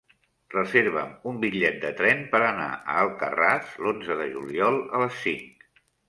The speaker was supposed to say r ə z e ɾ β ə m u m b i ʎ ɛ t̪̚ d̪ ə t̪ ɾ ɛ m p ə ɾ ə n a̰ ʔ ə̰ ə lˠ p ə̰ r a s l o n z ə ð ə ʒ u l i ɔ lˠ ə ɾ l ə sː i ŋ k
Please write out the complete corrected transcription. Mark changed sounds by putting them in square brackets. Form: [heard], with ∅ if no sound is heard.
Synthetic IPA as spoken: r ə z e ɾ β ə m u m b i ʎ ɛ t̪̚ d̪ ə t̪ ɾ ɛ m p ə ɾ ə n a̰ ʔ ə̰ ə lˠ [k] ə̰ r a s l o n z ə ð ə ʒ u l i ɔ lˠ ə [∅] l ə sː i ŋ k